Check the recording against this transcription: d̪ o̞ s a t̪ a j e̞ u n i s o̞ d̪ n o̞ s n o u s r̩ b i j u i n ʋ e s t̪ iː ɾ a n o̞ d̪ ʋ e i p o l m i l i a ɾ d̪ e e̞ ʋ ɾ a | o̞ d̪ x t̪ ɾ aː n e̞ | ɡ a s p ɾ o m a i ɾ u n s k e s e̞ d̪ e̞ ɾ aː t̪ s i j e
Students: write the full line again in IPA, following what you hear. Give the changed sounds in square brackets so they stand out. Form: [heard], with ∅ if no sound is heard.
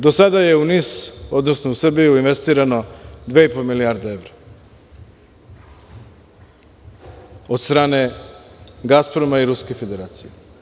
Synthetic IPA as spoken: d̪ o̞ s a [d̪] a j e̞ u n i s o̞ d̪ n o̞ s n o u s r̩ b i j u i n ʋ e s t̪ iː ɾ a n o̞ d̪ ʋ e i p o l m i l i a ɾ d̪ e e̞ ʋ ɾ a | o̞ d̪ [s] t̪ ɾ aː n e̞ | ɡ a s p ɾ o m a i ɾ u [∅] s k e [f] e̞ d̪ e̞ ɾ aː t̪ s i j e